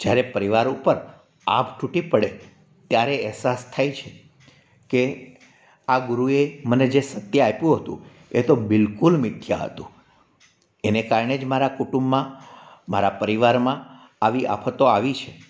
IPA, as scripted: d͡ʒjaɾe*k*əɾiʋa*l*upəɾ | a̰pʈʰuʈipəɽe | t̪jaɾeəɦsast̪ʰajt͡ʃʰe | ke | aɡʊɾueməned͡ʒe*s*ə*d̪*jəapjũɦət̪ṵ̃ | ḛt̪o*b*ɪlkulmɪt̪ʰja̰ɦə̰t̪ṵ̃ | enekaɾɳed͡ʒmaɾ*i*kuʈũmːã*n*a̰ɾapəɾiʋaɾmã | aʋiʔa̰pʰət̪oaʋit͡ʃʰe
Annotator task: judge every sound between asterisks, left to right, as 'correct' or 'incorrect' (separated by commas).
incorrect, incorrect, correct, incorrect, correct, incorrect, incorrect